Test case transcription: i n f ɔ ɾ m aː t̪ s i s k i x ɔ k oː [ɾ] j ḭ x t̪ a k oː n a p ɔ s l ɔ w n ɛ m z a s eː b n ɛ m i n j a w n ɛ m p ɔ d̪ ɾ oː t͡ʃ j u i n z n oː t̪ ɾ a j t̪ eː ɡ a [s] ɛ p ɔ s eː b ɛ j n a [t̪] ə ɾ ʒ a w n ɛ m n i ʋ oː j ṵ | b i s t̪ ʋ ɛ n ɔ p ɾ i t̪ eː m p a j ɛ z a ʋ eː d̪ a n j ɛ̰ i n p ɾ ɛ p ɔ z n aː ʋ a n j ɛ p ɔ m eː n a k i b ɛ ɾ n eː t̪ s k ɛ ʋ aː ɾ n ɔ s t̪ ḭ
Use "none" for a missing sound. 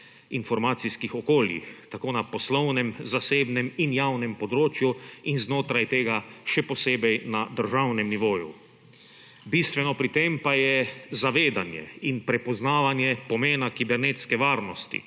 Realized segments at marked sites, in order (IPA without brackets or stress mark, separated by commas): l, ʃ, d̪